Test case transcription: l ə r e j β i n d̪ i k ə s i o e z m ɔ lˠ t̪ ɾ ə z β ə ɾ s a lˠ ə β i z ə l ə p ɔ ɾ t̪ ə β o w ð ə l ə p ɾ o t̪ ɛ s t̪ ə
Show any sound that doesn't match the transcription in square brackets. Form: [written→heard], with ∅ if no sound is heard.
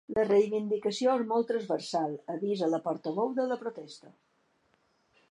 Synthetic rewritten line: l ə r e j β i n d̪ i k ə s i o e z m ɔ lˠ t̪ ɾ ə z β ə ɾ s a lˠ ə β i z ə l ə p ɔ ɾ t̪ ə β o w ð ə l ə p ɾ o t̪ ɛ s t̪ ə